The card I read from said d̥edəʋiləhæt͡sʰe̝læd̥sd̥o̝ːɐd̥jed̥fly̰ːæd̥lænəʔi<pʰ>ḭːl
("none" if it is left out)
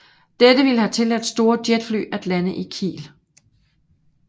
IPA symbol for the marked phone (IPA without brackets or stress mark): kʰ